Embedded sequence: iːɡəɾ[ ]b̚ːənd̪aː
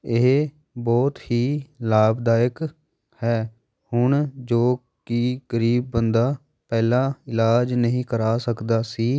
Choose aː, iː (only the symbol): iː